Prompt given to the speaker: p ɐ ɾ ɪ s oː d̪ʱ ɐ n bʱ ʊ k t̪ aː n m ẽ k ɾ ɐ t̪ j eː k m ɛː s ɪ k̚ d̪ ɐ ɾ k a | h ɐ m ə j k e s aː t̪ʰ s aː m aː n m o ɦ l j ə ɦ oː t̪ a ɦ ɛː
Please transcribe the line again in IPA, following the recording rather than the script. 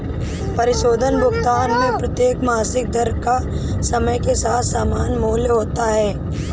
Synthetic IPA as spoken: p ɐ ɾ ɪ ʃ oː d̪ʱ ə n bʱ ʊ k t̪ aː n m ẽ p ɾ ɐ t̪ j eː k m aː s ɪ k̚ d̪ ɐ ɾ k a | s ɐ m ə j k e s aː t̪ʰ s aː m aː n m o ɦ l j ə ɦ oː t̪ a ɦ ɛː